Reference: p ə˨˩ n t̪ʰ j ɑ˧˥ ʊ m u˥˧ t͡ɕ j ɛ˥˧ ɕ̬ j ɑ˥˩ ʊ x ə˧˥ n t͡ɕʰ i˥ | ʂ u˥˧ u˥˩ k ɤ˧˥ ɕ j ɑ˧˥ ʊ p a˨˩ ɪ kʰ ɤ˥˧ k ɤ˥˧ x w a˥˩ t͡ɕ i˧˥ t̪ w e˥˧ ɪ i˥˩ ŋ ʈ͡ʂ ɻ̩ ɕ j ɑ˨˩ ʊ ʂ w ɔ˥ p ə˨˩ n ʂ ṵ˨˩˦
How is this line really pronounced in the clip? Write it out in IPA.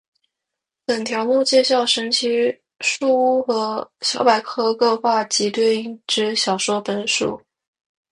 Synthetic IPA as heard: p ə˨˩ n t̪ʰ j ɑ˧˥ ʊ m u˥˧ t͡ɕ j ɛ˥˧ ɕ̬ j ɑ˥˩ ʊ ʂ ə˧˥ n t͡ɕʰ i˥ | ʂ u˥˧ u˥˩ x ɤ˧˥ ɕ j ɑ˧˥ ʊ p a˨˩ ɪ kʰ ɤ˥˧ k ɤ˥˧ x w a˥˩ t͡ɕ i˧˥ t̪ w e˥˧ ɪ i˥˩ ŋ ʈ͡ʂ ɻ̩ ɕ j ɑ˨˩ ʊ ʂ w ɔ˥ p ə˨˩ n ʂ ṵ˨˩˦